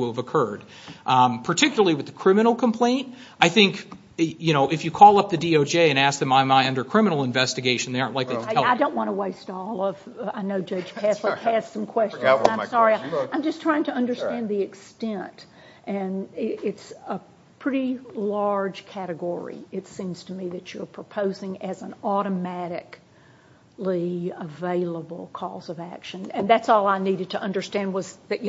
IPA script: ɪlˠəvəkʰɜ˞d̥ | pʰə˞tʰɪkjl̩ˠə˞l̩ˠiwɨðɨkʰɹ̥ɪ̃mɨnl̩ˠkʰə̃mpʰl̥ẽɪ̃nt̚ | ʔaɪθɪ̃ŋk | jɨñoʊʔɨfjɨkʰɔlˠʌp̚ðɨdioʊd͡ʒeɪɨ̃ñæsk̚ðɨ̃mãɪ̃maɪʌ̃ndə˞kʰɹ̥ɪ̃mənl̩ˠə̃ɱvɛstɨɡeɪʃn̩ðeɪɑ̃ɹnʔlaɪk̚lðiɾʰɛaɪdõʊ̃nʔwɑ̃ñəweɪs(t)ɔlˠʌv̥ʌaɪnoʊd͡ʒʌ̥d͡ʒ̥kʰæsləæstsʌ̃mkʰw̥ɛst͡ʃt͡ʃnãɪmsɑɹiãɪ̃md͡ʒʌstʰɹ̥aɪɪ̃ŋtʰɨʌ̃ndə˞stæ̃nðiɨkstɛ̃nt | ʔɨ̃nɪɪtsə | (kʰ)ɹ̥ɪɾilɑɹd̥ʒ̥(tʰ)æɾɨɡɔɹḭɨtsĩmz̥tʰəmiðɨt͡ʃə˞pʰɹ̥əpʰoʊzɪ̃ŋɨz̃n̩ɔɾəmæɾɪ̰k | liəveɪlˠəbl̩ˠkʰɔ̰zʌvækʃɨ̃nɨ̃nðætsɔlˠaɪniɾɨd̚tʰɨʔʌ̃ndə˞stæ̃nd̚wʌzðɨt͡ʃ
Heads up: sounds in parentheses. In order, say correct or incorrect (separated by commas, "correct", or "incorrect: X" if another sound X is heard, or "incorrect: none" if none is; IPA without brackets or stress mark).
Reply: correct, incorrect: pʰ, incorrect: kʰ